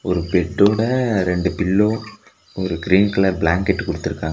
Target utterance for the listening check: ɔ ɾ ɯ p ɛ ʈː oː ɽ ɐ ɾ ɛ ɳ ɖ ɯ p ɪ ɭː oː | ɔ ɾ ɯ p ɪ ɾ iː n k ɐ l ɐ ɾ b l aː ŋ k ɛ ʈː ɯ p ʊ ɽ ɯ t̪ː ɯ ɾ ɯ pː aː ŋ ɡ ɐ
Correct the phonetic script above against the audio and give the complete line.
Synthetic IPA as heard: ɔ ɾ ɯ p ɛ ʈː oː ɽ ɐ ɾ ɛ ɳ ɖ ɯ p ɪ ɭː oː | ɔ ɾ ɯ k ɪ ɾ iː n k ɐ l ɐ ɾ b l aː ŋ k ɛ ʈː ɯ k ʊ ɽ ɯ t̪ː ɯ ɾ ɯ kː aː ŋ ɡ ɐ

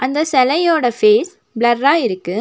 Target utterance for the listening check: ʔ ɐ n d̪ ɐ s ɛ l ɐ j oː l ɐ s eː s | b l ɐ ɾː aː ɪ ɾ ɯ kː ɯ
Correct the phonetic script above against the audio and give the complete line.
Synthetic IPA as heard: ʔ ɐ n d̪ ɐ s ɛ l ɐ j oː ɽ ɐ f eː s | b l ɐ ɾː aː ɪ ɾ ɯ kː ɯ

